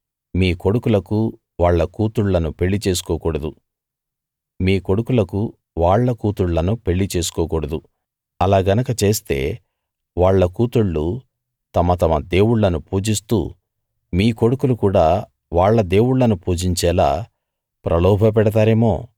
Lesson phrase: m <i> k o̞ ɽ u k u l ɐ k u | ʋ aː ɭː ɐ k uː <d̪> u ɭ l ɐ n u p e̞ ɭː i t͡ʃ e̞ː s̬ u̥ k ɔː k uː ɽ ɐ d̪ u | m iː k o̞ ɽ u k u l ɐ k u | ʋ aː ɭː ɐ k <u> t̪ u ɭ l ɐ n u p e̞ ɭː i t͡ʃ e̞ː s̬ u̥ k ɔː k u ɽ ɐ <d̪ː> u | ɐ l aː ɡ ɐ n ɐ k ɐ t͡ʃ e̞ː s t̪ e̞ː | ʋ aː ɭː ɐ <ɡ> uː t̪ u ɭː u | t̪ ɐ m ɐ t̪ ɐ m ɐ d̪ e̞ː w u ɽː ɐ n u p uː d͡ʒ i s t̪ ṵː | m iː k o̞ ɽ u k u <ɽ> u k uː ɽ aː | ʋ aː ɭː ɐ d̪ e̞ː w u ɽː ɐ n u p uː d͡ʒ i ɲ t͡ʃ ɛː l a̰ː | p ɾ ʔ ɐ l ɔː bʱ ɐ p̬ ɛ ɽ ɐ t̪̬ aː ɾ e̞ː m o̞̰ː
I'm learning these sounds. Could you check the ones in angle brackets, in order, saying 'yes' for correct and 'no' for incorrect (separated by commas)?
no, no, no, no, no, no